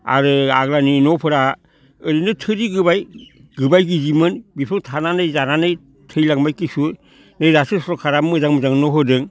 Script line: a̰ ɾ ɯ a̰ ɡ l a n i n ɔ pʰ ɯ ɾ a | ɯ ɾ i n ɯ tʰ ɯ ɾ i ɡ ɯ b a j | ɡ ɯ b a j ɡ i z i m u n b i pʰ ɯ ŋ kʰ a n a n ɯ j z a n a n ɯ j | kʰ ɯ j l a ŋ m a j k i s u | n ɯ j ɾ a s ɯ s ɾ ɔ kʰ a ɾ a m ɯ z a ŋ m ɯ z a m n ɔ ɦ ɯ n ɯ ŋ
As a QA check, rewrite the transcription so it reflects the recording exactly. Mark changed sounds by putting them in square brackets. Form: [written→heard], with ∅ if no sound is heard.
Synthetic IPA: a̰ ɾ ɯ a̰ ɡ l a n i n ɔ pʰ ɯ ɾ a | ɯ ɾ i n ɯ tʰ ɯ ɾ i ɡ ɯ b a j | ɡ ɯ b a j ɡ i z i m [u→ɯ] n b i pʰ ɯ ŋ [kʰ→tʰ] a n a n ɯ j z a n a n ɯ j | [kʰ→tʰ] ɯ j l a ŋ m a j k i s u | n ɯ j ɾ a s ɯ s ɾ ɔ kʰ a ɾ a m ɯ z a ŋ m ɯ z a [m→ŋ] n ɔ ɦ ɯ [n→d] ɯ ŋ